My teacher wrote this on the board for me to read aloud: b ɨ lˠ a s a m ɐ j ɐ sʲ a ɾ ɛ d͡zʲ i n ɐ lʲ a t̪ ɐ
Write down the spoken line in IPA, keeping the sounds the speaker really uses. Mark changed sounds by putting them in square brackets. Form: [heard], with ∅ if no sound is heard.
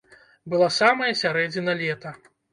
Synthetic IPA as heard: b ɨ lˠ a s a m ɐ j ɐ sʲ a ɾ ɛ d͡zʲ i n ɐ lʲ [ɛ] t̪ ɐ

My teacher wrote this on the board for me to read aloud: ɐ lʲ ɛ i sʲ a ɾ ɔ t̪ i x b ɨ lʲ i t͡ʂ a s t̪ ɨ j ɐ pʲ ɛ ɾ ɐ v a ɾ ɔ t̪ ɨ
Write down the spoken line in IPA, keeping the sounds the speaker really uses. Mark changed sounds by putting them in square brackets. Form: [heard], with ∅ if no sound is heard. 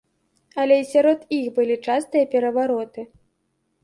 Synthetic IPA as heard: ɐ lʲ ɛ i sʲ a ɾ ɔ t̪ i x b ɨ lʲ i t͡ʂ a s t̪ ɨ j ɐ pʲ ɛ ɾ ɐ v a ɾ ɔ t̪ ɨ

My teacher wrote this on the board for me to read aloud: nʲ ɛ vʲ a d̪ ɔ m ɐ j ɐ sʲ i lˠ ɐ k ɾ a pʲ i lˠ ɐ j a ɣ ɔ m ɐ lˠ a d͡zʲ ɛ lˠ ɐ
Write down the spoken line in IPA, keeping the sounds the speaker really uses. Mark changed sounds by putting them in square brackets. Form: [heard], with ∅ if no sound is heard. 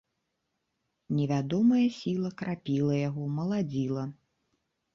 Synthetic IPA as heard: nʲ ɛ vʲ a d̪ ɔ m ɐ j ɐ sʲ i lˠ ɐ k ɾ a pʲ i lˠ ɐ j a ɣ ɔ m ɐ lˠ a d͡zʲ [i] lˠ ɐ

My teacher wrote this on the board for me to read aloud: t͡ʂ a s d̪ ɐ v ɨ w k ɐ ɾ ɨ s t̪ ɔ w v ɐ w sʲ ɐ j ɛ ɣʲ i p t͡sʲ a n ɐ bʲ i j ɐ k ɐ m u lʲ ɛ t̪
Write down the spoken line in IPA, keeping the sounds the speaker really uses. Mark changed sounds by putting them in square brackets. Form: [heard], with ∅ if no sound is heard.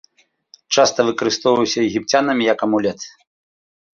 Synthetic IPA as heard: t͡ʂ a s [t̪] ɐ v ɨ [∅] k ɐ ɾ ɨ s t̪ ɔ w v ɐ w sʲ ɐ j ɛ ɣʲ i p t͡sʲ a n ɐ [mʲ] i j ɐ k ɐ m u lʲ ɛ t̪

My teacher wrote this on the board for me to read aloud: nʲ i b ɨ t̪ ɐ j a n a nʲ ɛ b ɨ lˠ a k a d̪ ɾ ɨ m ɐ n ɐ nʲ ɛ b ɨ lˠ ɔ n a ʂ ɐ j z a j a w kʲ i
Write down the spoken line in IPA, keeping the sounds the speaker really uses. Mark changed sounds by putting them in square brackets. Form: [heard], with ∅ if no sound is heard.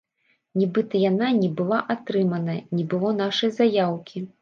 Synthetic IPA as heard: nʲ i b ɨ t̪ ɐ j a n a nʲ ɛ b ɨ lˠ a [ʔ] a [t̪] ɾ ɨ m ɐ n ɐ nʲ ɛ b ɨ lˠ ɔ n a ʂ ɐ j z a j a w kʲ i

